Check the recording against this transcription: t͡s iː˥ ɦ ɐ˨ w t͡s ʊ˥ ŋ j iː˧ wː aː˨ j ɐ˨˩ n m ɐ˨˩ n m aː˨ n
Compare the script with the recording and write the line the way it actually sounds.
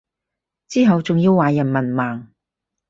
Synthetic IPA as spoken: t͡s iː˥ ɦ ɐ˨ w t͡s ʊ˨ ŋ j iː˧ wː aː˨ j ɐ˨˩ n m ɐ˨˩ n m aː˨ ŋ